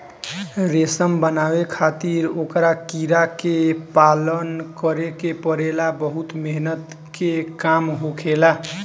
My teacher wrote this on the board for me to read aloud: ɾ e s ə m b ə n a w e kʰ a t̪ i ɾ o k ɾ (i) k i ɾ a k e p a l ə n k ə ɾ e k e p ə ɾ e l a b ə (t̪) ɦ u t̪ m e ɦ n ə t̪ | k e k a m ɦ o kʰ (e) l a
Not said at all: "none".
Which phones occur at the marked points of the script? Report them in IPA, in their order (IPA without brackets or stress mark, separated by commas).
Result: a, none, e